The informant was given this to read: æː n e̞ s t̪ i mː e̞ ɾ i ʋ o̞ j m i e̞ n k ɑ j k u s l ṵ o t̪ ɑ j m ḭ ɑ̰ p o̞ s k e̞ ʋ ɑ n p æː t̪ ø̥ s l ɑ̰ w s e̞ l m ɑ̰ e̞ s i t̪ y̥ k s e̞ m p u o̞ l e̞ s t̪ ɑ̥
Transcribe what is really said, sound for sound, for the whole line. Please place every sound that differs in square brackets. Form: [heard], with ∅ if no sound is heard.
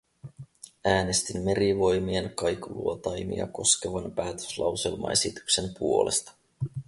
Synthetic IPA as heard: æː n e̞ s t̪ i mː e̞ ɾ i ʋ o̞ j m i e̞ n k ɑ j k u [∅] l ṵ o t̪ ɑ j m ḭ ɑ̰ [k] o̞ s k e̞ ʋ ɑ n p æː t̪ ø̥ s l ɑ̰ w s e̞ l m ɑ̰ e̞ s i t̪ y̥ k s e̞ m p u o̞ l e̞ s t̪ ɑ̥